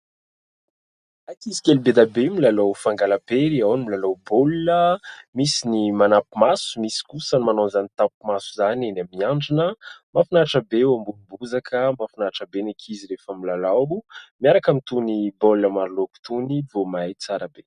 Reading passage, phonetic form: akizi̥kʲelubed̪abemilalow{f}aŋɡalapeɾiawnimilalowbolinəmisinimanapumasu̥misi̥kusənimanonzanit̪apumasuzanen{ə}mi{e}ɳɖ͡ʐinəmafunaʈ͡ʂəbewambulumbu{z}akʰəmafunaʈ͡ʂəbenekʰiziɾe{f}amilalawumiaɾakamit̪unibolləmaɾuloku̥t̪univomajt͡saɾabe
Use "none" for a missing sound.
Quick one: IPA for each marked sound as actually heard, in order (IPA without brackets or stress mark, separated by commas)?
f, a, a, z, f